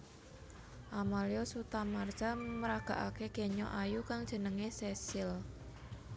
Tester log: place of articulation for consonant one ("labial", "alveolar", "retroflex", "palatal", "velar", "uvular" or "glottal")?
glottal